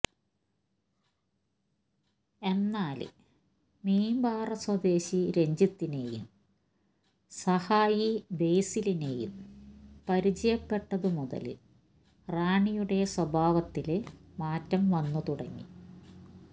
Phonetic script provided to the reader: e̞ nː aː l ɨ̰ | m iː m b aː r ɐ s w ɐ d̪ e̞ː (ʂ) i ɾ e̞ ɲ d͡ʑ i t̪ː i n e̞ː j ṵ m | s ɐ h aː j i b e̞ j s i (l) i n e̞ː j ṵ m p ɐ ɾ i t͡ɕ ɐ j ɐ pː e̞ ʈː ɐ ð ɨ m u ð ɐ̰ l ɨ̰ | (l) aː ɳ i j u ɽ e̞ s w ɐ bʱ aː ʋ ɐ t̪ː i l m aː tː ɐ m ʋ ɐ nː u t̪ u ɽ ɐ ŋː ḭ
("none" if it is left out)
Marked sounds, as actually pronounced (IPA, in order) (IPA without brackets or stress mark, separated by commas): ɕ, l, r